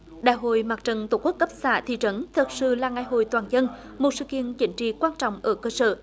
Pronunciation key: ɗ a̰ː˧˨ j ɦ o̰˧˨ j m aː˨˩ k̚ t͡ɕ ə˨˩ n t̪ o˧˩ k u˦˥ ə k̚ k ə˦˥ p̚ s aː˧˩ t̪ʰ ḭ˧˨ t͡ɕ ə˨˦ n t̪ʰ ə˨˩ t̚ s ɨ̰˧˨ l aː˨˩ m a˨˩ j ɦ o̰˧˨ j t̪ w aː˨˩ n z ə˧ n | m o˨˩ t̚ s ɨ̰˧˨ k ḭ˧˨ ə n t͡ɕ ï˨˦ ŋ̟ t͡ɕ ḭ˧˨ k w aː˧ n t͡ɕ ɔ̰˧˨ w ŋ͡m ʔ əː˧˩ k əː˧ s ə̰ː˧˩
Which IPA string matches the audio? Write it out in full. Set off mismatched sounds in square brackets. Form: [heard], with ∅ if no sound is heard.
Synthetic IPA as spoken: ɗ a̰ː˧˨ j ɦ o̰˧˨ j m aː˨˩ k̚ t͡ɕ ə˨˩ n t̪ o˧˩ k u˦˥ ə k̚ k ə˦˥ p̚ s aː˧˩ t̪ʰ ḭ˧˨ t͡ɕ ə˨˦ n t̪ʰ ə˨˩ t̚ s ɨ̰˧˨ l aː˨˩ [ŋ] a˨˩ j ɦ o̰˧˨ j t̪ w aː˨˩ n z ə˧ n | m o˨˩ t̚ s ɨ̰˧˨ k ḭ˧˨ ə n t͡ɕ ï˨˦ ŋ̟ t͡ɕ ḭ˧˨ k w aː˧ n t͡ɕ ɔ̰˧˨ w ŋ͡m ʔ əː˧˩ k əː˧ s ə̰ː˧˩